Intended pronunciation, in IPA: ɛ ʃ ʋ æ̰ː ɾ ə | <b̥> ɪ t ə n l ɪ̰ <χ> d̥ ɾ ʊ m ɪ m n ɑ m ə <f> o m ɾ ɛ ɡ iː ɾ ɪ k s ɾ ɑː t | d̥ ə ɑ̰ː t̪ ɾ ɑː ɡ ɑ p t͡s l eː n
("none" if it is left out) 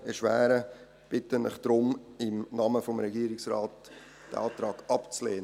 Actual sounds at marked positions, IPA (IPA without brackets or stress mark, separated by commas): b̥, χ, f